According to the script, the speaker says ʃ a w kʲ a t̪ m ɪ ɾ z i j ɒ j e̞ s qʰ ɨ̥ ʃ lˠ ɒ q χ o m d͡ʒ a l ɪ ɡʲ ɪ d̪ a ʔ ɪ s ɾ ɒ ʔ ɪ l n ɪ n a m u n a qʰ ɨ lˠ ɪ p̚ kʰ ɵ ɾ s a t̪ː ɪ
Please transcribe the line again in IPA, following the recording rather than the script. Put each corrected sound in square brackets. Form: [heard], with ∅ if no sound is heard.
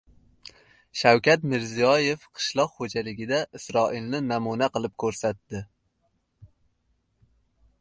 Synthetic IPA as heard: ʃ a w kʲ a t̪ m ɪ ɾ z i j ɒ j e̞ [f] qʰ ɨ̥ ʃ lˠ ɒ q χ o [∅] d͡ʒ a l ɪ ɡʲ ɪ d̪ a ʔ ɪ s ɾ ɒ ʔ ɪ l n ɪ n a m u n a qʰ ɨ lˠ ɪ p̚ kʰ ɵ ɾ s a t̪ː ɪ